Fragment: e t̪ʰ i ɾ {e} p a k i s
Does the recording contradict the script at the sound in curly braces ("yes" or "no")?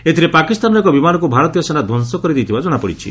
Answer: no